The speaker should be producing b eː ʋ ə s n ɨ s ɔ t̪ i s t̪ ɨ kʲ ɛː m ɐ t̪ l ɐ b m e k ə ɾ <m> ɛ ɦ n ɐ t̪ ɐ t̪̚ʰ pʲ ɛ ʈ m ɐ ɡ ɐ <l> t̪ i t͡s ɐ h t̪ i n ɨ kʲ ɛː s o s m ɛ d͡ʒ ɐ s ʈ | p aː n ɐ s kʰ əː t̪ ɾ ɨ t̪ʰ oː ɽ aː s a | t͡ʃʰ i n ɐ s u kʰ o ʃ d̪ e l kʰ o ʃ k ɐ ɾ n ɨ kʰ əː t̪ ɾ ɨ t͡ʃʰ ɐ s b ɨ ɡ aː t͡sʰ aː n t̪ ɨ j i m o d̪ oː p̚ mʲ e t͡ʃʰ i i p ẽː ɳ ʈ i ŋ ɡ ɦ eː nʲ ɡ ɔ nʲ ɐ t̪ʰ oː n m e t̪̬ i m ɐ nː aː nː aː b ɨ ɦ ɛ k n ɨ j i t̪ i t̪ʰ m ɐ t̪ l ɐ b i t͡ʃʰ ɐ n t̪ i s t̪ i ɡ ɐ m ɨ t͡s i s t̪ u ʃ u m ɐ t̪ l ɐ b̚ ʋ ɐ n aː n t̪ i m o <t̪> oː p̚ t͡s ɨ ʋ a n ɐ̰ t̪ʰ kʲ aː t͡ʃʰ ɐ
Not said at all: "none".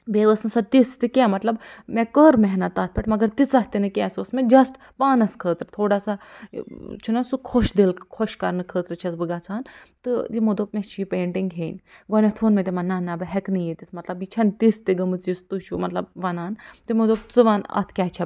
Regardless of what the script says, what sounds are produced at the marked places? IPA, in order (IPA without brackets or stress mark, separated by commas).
m, ɾ, d̪